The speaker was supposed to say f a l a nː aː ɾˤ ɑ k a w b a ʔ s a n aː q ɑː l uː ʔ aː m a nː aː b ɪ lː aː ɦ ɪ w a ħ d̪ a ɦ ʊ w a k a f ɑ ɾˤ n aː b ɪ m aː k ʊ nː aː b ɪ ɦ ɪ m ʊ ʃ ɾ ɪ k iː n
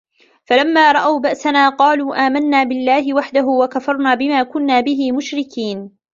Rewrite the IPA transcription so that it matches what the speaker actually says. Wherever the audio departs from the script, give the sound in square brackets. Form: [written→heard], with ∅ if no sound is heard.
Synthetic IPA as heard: f a l a [nː→mː] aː ɾˤ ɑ [k→ʔ] a w b a ʔ s a n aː q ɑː l uː ʔ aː m a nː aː b ɪ lː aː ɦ ɪ w a ħ d̪ a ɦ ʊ w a k a f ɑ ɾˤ n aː b ɪ m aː k ʊ nː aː b ɪ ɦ ɪ m ʊ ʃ ɾ ɪ k iː n